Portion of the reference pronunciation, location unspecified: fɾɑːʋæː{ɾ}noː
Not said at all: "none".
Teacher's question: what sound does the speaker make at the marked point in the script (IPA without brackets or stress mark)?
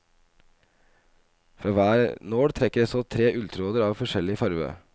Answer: ɾ